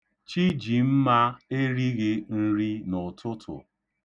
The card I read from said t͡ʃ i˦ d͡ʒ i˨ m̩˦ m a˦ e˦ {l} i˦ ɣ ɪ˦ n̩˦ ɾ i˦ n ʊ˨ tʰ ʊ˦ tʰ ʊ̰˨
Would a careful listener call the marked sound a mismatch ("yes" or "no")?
yes